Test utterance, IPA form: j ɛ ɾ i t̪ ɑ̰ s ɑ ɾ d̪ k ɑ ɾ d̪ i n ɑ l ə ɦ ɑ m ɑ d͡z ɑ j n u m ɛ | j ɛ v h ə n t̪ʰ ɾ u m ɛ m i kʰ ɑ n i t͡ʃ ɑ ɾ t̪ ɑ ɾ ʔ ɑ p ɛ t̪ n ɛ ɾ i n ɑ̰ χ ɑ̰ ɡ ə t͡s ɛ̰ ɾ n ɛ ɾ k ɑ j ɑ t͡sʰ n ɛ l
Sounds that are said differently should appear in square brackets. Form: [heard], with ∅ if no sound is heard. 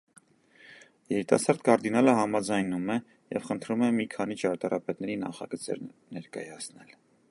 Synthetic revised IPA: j ɛ ɾ i t̪ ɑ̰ s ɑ ɾ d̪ k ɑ ɾ d̪ i n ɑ l ə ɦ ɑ m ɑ d͡z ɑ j n u m ɛ | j ɛ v [χ] ə n t̪ʰ ɾ u m ɛ m i kʰ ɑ n i t͡ʃ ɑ ɾ t̪ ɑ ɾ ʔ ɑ p ɛ t̪ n ɛ ɾ i n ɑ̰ χ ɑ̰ ɡ ə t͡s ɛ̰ ɾ n ɛ ɾ k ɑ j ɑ t͡sʰ n ɛ l